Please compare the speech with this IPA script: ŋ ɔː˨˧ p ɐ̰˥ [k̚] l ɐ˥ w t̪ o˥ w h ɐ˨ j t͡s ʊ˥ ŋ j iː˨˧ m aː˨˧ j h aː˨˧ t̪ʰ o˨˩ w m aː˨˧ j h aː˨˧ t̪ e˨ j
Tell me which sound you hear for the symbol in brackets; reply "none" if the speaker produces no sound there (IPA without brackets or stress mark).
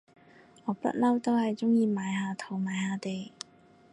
t̚